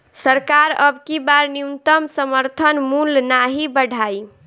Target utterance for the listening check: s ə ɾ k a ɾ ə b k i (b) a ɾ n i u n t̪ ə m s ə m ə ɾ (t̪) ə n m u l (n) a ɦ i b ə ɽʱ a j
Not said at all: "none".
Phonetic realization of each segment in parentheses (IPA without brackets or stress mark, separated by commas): b, t̪ʰ, n